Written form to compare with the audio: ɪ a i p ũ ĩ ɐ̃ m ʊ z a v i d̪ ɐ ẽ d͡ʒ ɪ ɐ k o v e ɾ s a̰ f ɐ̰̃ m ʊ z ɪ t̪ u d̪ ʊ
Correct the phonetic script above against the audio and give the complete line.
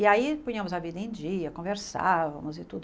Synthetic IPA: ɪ a i p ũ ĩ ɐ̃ m ʊ z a v i d̪ ɐ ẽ d͡ʒ i ɐ k õ v e ɾ s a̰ v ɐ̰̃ m ʊ z ɪ t̪ u d̪ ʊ